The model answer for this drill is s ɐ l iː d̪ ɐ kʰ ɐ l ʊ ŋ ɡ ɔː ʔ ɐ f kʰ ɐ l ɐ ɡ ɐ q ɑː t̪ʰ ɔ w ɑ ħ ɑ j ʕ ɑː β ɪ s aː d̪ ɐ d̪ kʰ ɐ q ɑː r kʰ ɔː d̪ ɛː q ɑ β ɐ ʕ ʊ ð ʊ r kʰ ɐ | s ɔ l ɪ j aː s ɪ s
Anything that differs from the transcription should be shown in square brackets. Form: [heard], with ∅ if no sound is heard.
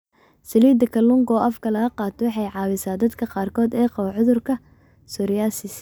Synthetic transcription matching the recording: s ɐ l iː d̪ ɐ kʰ ɐ l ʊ ŋ ɡ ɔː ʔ ɐ f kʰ ɐ l ɐ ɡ ɐ q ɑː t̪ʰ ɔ w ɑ ħ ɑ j ʕ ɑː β ɪ s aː d̪ ɐ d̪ kʰ ɐ q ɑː r kʰ ɔː d̪ ɛː q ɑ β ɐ ʕ ʊ ð ʊ r kʰ ɐ | s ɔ [ɾ] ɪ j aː s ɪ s